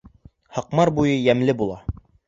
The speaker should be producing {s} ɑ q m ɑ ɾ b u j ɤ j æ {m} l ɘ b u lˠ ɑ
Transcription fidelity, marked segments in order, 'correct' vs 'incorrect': incorrect: h, correct

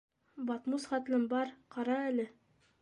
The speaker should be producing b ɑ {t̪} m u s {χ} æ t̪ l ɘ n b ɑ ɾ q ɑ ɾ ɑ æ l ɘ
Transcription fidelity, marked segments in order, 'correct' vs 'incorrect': correct, correct

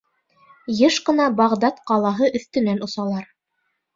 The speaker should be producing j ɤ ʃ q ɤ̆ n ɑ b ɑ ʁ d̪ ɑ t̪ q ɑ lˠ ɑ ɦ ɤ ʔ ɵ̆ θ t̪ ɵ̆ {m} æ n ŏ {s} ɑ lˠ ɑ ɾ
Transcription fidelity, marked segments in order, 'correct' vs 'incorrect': incorrect: n, correct

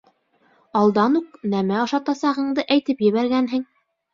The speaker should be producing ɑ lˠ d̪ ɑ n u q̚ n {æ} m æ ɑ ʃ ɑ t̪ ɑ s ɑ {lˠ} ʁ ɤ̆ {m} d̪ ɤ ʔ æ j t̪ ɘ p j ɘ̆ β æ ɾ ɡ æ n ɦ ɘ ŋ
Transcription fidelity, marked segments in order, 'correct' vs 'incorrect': correct, incorrect: none, incorrect: ɴ

